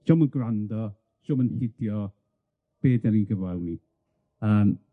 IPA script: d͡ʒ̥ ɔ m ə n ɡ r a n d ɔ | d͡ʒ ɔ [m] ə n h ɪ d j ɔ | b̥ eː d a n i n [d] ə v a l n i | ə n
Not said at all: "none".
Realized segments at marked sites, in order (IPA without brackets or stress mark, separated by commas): m, ɡ